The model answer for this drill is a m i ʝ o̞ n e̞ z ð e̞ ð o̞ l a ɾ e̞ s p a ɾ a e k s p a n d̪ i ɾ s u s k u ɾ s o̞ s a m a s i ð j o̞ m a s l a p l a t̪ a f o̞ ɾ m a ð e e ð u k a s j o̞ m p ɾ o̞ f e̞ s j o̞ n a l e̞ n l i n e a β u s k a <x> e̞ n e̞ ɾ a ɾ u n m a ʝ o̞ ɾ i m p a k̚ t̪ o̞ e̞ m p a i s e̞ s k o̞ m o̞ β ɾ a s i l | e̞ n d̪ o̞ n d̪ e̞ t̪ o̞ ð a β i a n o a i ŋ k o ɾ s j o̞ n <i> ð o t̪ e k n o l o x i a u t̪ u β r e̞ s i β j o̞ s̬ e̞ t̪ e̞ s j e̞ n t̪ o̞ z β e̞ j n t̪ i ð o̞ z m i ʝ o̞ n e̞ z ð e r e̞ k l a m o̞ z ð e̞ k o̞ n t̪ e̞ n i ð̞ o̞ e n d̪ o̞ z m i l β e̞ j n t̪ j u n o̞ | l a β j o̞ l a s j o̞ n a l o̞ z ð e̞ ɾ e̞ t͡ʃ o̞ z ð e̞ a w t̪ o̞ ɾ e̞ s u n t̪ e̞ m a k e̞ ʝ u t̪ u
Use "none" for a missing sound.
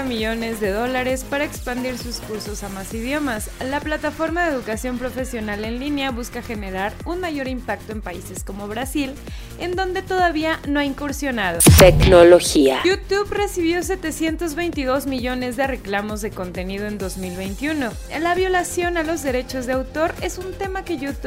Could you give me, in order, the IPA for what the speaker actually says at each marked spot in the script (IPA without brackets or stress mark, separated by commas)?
x, a